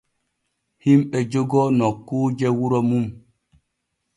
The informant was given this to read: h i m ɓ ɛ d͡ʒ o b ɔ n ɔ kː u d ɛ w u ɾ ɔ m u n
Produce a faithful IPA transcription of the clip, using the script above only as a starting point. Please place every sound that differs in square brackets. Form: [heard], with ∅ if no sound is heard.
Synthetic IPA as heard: h i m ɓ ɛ d͡ʒ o [ɡ] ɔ n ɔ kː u [d͡ʒ] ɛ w u ɾ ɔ m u [m]